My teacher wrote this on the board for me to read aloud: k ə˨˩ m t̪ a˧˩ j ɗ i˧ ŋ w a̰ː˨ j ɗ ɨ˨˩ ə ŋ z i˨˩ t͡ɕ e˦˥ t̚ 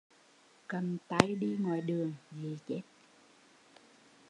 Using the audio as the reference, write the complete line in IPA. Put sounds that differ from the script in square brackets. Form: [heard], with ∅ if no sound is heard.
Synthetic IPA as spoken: k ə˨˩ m t̪ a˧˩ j ɗ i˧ ŋ w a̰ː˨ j ɗ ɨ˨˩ ə ŋ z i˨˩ t͡ɕ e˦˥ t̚